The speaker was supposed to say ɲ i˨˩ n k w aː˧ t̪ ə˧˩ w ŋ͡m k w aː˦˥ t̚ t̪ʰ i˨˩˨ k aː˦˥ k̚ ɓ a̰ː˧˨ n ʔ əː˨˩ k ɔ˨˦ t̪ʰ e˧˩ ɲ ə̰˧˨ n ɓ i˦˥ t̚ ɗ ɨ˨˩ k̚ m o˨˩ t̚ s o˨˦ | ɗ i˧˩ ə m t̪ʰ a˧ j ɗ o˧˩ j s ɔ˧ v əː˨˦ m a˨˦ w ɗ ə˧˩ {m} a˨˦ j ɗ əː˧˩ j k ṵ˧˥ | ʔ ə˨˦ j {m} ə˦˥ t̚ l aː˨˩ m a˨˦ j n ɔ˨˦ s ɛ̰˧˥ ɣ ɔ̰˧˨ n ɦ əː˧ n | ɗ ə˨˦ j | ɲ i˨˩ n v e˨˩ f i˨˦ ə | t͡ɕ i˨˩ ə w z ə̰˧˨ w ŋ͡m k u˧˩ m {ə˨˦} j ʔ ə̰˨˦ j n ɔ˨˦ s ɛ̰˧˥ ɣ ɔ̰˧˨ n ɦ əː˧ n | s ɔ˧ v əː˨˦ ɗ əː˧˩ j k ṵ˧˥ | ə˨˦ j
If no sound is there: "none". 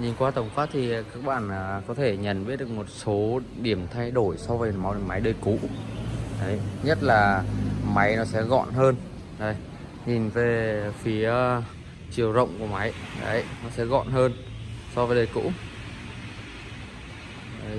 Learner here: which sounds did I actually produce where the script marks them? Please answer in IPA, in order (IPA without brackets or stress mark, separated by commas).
m, ɲ, a˨˦